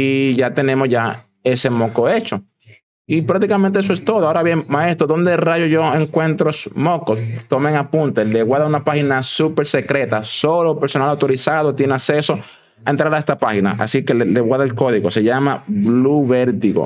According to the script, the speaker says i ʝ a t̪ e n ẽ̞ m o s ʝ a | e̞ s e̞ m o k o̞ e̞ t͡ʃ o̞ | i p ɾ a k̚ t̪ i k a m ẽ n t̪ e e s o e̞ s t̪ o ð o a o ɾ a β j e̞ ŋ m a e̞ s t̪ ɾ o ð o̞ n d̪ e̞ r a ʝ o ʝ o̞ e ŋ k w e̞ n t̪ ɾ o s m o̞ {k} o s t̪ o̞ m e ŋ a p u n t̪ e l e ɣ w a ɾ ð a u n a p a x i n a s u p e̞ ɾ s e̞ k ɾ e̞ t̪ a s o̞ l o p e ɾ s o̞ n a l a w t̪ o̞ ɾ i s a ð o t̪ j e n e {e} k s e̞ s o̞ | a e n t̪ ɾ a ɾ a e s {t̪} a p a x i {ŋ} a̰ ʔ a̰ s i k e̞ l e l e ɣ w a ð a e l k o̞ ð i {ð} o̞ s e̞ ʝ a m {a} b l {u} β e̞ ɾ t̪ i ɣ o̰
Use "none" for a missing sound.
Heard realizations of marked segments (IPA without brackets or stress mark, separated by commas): k, a, t̪, n, ɣ, a, u